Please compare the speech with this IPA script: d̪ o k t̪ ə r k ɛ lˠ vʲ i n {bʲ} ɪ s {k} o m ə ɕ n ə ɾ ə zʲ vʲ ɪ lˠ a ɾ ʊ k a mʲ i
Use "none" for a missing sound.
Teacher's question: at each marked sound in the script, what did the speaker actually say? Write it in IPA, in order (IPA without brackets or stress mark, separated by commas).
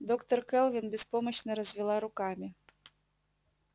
bʲ, p